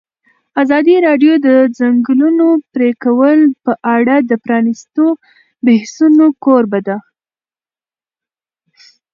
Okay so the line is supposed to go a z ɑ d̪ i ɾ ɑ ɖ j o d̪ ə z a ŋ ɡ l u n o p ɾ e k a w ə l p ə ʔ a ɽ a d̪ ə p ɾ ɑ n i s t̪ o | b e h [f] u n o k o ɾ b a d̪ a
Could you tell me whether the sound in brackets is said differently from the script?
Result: yes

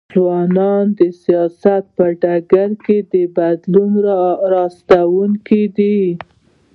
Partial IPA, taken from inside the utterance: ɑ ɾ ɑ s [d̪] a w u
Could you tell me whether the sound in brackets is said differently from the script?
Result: yes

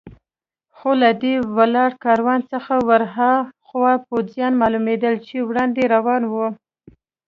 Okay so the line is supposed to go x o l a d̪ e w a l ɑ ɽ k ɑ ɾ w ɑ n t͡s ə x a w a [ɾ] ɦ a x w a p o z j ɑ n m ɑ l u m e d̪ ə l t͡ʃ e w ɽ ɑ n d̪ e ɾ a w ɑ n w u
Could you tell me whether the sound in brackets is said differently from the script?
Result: no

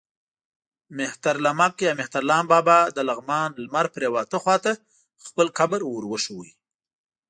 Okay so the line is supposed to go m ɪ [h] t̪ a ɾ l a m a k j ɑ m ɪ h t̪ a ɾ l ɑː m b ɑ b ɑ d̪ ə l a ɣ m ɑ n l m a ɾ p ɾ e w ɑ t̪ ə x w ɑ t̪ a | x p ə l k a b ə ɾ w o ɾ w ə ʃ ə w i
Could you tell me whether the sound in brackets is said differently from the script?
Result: no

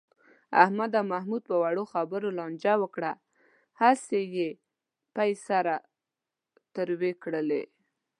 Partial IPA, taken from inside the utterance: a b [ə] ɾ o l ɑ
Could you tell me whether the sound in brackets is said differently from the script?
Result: no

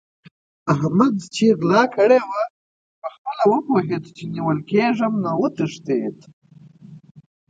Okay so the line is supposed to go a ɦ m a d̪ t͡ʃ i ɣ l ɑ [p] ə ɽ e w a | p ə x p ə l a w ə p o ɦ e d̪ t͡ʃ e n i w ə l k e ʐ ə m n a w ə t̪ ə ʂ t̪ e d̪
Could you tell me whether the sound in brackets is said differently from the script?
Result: yes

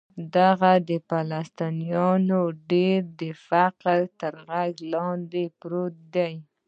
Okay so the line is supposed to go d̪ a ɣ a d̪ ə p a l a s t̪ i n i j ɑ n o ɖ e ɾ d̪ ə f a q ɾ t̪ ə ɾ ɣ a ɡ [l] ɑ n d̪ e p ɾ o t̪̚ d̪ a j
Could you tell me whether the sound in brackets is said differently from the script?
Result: no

